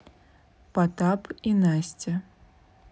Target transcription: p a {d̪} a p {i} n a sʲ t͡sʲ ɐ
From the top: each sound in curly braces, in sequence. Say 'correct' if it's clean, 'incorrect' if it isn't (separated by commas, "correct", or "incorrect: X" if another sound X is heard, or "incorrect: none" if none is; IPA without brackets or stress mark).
incorrect: t̪, correct